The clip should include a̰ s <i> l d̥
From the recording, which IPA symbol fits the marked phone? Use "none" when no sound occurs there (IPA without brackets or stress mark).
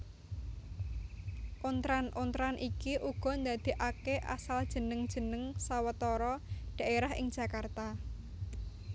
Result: a